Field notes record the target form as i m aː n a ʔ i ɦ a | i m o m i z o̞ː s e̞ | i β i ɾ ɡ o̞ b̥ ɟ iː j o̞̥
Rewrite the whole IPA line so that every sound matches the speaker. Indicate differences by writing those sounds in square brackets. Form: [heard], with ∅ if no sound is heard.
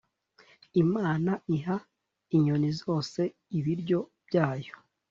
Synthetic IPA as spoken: i m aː n a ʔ i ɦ a | i [ɲ] o [n] i z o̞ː s e̞ | i β i ɾ [ɟ] o̞ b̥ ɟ [aː] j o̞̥